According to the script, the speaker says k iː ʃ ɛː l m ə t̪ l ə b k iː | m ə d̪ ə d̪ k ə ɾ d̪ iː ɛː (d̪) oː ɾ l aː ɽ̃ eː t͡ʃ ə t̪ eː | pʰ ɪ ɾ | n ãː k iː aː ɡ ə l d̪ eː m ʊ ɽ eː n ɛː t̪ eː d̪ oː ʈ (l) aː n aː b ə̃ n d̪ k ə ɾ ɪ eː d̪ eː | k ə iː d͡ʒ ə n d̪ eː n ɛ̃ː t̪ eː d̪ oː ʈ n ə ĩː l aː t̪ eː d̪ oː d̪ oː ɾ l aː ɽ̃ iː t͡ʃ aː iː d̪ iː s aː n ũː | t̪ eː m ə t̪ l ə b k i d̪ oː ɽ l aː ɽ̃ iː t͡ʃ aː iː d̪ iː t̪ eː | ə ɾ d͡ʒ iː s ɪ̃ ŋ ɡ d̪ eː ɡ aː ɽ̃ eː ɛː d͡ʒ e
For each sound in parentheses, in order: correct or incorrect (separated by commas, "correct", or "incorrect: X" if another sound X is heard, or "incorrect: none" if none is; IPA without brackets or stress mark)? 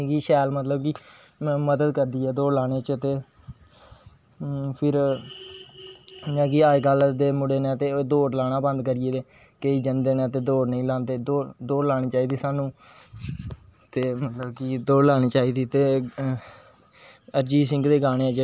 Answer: correct, correct